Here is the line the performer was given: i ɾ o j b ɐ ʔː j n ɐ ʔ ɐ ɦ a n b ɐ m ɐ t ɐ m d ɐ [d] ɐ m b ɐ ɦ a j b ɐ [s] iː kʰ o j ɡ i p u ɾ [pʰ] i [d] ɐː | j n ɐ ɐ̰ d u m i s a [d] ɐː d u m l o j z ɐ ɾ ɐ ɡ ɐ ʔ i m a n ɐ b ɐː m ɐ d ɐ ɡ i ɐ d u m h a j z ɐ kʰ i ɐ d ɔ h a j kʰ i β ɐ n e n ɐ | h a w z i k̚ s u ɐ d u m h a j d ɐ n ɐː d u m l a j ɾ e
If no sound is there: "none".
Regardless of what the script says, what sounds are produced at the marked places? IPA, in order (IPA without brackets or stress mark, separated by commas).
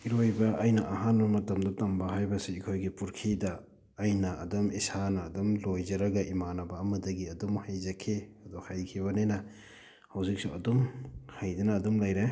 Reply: t, s, kʰ, d, n